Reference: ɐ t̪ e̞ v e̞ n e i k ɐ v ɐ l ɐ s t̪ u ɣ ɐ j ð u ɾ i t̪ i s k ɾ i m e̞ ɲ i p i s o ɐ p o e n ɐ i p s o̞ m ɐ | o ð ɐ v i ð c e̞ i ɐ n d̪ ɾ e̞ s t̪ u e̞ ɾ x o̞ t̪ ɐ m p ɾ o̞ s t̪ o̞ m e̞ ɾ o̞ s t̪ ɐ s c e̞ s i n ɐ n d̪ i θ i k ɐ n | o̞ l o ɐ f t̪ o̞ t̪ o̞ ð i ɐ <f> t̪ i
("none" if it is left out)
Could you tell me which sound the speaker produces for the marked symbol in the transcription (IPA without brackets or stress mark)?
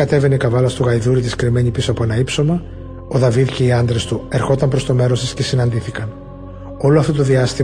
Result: s